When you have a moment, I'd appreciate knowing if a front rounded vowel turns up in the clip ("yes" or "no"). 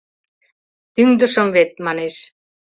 yes